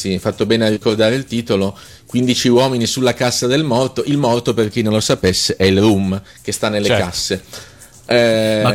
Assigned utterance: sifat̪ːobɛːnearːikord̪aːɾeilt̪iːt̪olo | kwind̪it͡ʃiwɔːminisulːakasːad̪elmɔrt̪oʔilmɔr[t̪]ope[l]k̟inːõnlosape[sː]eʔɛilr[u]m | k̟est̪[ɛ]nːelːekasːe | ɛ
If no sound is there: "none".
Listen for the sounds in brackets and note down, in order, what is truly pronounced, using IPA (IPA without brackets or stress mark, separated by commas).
t̪, r, sː, u, a